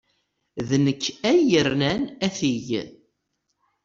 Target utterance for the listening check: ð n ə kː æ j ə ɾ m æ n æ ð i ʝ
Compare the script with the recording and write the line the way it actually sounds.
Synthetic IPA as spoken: ð n ə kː æ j ə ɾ n æ n æ θ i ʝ